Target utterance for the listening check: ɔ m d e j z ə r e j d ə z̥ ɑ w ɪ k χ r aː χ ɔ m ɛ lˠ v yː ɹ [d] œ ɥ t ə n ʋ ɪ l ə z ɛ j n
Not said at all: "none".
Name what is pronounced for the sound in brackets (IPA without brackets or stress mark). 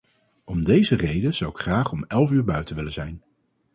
b